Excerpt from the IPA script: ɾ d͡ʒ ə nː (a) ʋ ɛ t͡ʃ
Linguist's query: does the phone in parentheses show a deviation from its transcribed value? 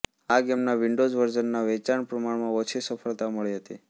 no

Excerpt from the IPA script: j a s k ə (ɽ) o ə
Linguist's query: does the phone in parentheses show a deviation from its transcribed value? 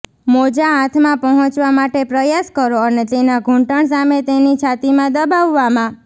yes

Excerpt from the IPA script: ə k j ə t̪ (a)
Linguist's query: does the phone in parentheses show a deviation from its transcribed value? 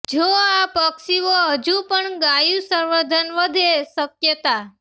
no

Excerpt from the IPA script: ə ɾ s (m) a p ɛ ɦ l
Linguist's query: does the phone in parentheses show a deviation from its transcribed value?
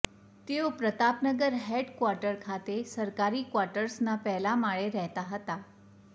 yes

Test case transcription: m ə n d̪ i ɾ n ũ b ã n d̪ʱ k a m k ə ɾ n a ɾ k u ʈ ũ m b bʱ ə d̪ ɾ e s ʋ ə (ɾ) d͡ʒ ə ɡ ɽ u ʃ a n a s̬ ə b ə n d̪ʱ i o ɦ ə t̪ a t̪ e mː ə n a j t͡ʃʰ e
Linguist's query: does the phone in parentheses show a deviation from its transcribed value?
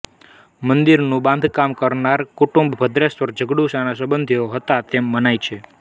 no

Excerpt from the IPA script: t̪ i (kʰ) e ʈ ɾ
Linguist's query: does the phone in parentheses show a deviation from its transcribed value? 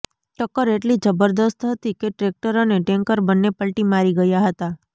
yes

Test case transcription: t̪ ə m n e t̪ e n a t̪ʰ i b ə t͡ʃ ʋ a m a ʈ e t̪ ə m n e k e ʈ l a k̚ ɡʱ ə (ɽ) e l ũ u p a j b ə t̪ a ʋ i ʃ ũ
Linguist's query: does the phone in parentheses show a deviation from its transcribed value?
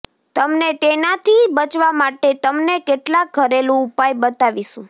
yes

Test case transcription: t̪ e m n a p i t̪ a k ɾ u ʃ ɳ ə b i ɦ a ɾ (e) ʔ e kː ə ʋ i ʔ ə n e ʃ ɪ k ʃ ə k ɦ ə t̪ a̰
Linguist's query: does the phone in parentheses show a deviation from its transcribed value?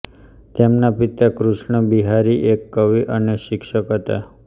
yes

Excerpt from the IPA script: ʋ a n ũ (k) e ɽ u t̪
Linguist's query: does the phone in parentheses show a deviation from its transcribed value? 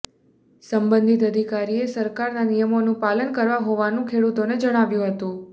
yes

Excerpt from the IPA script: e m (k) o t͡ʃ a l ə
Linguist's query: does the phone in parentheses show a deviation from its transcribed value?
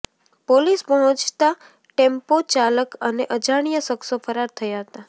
yes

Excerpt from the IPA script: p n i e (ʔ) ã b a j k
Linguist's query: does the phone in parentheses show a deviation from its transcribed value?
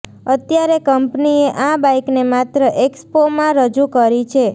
no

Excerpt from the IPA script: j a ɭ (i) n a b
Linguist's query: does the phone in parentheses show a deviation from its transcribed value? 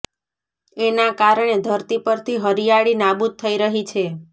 no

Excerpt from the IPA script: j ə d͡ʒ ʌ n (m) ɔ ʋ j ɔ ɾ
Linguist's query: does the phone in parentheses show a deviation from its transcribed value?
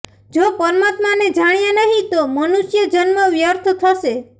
no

